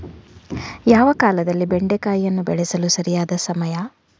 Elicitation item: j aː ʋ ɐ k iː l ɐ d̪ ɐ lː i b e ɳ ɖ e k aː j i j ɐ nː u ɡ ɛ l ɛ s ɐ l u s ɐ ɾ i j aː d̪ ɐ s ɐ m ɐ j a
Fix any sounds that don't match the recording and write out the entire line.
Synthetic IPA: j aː ʋ ɐ k aː l ɐ d̪ ɐ lː i b e ɳ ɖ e k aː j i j ɐ nː u b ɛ ɭ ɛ s ɐ l u s ɐ ɾ i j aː d̪ ɐ s ɐ m ɐ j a